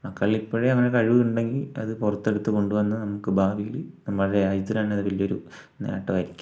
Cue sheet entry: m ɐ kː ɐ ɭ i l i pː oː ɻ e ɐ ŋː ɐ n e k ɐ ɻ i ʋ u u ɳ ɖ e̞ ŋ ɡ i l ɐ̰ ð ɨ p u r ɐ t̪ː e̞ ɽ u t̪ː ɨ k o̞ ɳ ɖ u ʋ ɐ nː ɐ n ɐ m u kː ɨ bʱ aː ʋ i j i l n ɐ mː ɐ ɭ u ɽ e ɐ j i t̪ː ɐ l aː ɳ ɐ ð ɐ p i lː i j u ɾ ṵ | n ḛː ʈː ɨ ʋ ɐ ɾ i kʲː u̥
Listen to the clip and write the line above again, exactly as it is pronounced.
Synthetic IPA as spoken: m ɐ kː ɐ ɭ i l i pː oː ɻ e ɐ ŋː ɐ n e k ɐ ɻ i ʋ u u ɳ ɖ e̞ ŋ ɡ i l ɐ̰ ð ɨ p u r ɐ t̪ː e̞ ɽ u t̪ː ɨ k o̞ ɳ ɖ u ʋ ɐ nː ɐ n ɐ m u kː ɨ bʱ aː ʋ i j i l n ɐ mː ɐ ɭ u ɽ e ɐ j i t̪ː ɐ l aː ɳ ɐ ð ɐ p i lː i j o ɾ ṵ | n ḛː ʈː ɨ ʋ ɐ ɾ i kʲː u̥